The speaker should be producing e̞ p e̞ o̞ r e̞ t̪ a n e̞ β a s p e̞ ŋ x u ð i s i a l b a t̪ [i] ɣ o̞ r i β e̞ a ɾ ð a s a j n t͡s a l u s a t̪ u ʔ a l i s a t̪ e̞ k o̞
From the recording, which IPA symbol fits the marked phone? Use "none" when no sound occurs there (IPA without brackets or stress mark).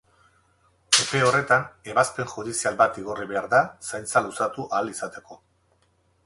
i